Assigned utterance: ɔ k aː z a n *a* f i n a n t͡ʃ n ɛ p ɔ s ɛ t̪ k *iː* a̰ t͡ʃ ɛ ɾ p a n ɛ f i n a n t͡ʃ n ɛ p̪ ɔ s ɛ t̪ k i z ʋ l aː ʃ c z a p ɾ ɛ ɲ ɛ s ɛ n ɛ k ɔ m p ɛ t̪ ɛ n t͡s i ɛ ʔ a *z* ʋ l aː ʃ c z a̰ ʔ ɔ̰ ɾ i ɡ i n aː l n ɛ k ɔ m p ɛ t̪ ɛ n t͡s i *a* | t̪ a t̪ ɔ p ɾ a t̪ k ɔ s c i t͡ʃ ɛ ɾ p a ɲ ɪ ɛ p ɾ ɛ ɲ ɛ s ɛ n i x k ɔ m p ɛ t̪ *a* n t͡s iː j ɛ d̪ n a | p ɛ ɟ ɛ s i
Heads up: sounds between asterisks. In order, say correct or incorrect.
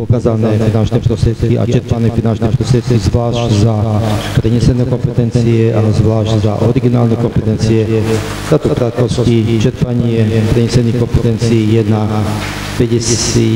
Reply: incorrect, incorrect, correct, incorrect, incorrect

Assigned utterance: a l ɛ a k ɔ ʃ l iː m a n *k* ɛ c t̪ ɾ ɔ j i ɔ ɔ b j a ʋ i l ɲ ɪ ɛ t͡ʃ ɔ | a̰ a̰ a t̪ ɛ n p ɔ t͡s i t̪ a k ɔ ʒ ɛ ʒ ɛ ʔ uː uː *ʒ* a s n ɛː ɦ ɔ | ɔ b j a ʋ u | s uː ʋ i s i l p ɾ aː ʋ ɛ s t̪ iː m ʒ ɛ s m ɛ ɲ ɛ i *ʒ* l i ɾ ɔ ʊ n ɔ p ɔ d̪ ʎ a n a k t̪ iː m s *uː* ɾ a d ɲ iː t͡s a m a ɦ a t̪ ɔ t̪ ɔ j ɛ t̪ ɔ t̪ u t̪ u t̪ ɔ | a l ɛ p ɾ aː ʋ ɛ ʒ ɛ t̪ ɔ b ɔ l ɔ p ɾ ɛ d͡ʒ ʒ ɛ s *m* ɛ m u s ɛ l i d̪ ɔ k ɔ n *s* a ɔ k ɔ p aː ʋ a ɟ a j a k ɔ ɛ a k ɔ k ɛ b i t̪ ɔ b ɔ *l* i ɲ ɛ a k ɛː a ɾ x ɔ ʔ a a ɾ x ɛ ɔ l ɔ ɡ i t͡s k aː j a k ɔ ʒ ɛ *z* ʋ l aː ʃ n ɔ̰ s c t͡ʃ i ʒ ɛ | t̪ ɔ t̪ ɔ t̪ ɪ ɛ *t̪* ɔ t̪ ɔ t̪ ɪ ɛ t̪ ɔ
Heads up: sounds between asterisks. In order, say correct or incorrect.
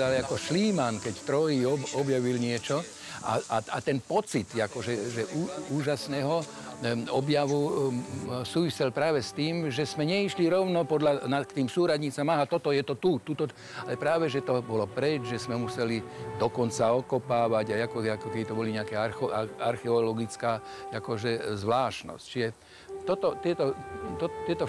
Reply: correct, correct, incorrect, correct, correct, incorrect, correct, correct, correct

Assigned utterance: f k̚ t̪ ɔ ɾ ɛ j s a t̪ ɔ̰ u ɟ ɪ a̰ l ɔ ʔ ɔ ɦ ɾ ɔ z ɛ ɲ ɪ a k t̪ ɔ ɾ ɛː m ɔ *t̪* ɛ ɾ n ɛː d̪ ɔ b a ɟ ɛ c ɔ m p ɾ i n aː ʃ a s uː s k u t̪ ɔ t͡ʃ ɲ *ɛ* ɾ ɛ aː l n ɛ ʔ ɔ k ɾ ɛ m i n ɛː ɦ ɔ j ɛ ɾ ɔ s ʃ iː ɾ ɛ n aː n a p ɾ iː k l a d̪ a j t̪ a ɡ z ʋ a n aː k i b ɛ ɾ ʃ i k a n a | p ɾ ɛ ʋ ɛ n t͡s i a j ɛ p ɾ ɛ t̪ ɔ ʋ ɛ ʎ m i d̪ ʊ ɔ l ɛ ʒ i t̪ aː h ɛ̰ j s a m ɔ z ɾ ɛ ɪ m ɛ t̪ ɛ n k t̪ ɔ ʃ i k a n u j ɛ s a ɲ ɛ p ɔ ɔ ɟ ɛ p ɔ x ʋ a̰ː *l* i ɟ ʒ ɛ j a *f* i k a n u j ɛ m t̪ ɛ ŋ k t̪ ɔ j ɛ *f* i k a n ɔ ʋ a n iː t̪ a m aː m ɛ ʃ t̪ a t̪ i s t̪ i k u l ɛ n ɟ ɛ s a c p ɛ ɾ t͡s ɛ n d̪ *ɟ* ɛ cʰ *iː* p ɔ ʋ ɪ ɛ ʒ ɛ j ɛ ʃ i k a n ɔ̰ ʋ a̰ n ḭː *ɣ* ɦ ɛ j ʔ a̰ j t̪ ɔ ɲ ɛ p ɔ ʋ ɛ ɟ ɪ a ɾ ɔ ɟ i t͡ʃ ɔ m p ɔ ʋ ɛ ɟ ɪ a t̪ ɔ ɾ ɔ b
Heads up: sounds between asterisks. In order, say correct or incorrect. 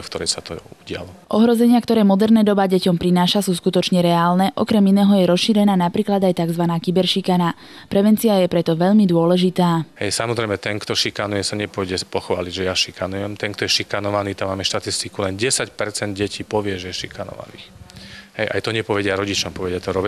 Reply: incorrect, correct, correct, incorrect, incorrect, correct, correct, incorrect

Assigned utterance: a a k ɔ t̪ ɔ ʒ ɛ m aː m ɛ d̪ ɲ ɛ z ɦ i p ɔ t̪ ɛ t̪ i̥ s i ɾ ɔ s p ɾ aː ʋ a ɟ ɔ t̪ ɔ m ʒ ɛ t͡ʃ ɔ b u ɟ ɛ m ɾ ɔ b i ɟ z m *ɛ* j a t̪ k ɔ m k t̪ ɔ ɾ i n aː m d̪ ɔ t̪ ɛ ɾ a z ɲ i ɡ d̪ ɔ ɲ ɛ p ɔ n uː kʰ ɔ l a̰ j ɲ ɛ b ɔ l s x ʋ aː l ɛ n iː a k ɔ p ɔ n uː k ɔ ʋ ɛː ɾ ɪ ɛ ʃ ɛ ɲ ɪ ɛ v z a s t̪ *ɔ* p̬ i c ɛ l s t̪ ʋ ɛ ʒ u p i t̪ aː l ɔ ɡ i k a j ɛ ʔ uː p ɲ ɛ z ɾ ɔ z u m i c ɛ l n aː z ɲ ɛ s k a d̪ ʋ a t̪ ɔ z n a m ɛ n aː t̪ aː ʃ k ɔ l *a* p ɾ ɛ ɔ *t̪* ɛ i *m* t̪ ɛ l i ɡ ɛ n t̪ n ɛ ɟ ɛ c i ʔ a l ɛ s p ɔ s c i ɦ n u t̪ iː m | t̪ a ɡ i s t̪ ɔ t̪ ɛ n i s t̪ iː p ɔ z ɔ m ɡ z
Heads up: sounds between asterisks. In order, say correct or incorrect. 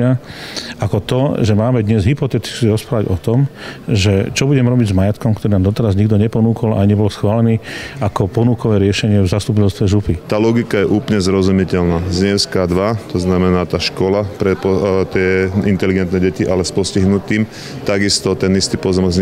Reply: incorrect, incorrect, correct, correct, incorrect

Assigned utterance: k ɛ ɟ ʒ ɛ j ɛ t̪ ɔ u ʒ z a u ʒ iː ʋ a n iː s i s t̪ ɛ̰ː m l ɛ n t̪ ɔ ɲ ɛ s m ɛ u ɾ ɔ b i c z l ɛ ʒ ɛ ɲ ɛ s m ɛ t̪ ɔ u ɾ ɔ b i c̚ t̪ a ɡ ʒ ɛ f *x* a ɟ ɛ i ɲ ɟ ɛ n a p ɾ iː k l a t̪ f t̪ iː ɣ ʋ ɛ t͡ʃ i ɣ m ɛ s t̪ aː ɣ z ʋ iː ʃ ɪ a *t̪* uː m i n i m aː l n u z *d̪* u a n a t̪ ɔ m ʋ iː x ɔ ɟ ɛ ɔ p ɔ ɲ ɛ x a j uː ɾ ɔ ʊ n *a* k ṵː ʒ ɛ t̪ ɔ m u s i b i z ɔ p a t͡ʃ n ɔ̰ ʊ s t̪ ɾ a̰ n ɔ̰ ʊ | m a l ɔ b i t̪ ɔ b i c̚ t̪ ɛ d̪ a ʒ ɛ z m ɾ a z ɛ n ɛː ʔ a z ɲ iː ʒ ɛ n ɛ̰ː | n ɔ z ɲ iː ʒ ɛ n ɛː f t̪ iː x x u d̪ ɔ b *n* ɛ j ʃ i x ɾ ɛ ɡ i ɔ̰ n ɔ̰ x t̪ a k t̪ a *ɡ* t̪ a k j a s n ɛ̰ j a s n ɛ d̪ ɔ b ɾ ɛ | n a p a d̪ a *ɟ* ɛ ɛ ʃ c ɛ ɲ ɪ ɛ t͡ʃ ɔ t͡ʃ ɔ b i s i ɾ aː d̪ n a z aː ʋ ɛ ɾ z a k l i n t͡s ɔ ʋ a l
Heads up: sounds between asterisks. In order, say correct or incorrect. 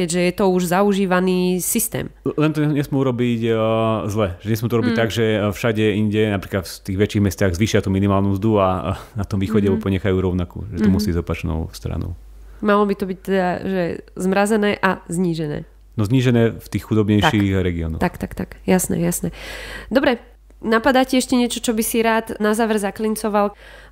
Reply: incorrect, correct, correct, correct, incorrect, incorrect, incorrect

